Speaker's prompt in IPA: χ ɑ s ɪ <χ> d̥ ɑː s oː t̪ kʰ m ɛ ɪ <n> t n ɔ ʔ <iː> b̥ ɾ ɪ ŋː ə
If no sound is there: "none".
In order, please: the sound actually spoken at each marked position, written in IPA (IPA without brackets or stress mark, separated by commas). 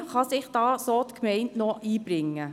χ, n, iː